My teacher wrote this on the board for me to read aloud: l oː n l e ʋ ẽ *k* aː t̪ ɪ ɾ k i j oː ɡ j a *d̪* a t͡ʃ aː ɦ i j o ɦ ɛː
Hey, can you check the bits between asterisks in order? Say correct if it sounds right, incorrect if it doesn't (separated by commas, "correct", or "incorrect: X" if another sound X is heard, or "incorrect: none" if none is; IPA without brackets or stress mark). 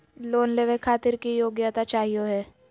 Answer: incorrect: kʰ, incorrect: t̪